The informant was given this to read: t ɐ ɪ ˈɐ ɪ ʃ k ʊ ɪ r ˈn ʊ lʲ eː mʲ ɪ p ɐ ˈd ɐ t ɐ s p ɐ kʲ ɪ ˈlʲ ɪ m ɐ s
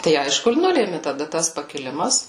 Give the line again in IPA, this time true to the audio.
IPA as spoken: t ɐ ɪ ˈɐ ɪ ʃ k ʊ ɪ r ˈn ʊ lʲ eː mʲ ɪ t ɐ ˈd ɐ t ɐ s p ɐ kʲ ɪ ˈlʲ ɪ m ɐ s